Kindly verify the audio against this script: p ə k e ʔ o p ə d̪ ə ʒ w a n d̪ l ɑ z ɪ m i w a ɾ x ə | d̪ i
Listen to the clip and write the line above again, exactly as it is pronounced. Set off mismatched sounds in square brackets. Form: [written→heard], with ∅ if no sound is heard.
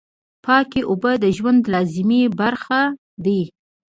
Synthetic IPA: p [ə→ɑ] k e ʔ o [p→b] ə d̪ ə ʒ w a n d̪ l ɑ z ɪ m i [w→b] a ɾ x [ə→a] | d̪ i